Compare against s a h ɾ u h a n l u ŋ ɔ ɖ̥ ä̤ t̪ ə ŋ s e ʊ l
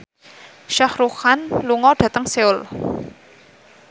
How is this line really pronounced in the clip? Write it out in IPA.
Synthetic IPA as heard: ʃ a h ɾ u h a n l u ŋ ɔ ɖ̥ ä̤ t̪ ə ŋ s e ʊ l